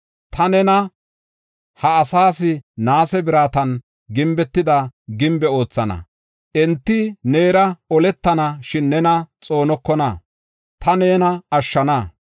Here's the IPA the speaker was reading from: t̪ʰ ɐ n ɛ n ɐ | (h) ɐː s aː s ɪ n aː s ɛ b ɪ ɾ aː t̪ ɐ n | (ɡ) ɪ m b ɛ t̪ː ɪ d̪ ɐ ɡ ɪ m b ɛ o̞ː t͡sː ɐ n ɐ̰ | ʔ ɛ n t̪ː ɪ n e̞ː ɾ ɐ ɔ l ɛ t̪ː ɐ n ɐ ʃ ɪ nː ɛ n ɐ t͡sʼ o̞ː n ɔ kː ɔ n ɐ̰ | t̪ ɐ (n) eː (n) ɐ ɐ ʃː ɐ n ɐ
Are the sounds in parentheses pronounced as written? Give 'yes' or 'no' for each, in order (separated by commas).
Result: yes, yes, yes, yes